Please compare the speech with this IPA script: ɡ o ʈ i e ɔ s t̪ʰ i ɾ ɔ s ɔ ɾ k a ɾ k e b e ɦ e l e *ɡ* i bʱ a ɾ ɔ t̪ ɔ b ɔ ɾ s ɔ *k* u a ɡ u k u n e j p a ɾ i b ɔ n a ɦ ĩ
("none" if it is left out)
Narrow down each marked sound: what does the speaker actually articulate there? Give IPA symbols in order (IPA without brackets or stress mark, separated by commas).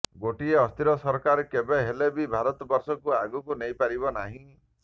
b, k